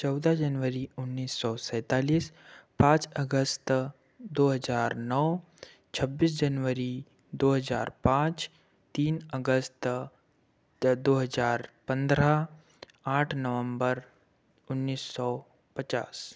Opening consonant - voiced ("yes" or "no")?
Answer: no